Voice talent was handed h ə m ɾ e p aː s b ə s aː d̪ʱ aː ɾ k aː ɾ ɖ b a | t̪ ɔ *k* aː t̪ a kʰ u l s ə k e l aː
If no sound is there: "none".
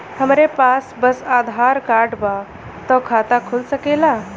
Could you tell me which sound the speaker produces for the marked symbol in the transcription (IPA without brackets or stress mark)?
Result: kʰ